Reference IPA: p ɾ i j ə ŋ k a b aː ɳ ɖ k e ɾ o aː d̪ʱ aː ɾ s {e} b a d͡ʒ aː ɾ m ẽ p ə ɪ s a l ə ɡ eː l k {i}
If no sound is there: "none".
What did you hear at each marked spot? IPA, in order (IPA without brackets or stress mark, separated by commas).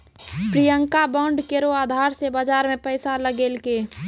e, e